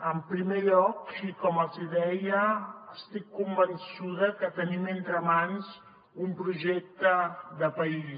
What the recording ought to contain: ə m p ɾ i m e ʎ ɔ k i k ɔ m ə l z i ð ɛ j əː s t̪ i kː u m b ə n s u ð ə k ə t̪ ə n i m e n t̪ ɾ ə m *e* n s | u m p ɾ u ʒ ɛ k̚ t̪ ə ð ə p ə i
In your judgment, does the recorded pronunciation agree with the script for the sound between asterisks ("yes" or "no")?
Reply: no